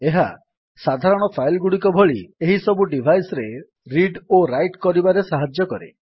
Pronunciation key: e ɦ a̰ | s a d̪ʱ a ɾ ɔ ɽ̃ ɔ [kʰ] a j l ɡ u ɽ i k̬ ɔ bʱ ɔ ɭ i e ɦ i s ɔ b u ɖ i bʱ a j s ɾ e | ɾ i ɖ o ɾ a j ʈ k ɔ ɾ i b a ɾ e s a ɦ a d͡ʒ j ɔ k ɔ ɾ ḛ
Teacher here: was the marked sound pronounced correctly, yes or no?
no